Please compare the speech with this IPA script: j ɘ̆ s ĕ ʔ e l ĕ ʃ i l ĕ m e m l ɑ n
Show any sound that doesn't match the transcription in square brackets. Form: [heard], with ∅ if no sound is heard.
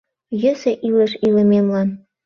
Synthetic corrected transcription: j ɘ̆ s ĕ ʔ [i] l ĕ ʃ i l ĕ m e m l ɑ n